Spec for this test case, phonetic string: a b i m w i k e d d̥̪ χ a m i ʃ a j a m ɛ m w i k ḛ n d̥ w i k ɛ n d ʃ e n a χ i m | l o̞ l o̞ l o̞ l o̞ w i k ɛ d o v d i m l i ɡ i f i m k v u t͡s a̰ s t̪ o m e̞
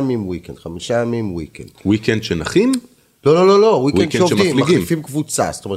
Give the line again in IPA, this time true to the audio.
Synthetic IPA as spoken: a m i m w i k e n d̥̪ χ a m i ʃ a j a m i m w i k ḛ n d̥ w i k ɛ n d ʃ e n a χ i m | l o̞ l o̞ l o̞ l o̞ w i k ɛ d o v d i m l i ɡ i f i m k v u t͡s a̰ s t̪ o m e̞